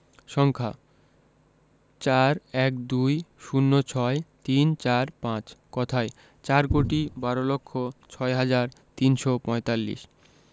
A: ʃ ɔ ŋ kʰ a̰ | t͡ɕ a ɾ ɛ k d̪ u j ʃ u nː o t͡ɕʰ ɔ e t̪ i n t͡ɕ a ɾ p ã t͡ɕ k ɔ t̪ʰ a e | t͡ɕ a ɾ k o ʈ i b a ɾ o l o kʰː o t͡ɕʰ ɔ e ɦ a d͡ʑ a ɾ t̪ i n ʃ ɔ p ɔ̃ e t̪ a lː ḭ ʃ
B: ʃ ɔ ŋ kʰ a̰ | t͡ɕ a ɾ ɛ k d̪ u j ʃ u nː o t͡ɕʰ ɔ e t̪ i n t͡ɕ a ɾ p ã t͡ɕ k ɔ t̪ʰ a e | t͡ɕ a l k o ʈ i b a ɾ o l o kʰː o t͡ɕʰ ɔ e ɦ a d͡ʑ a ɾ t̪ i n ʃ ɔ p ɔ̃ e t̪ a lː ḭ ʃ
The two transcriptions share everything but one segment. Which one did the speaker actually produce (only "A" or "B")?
A